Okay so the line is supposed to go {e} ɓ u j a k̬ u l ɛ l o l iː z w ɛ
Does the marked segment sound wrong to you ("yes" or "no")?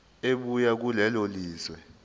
no